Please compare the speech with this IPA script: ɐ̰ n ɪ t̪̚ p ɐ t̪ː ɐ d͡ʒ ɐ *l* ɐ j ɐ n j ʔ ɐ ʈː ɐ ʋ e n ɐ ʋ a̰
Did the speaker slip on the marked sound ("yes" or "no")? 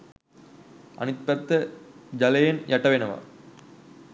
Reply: no